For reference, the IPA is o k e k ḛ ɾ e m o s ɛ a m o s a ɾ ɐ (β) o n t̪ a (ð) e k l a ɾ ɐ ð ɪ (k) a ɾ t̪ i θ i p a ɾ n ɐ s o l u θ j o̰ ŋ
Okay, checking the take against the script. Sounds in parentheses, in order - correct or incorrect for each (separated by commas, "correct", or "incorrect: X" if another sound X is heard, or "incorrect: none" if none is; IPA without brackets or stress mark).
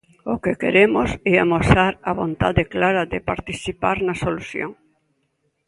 correct, correct, incorrect: p